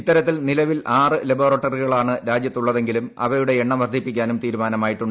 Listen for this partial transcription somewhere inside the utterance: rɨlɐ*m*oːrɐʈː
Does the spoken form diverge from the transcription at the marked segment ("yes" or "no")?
yes